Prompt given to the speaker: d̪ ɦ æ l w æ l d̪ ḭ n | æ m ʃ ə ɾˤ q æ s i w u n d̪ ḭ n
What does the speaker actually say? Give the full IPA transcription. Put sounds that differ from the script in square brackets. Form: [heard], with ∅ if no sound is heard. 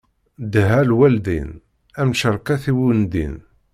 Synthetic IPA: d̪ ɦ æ l w æ l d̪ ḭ n | æ m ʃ ə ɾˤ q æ [θ] i w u n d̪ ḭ n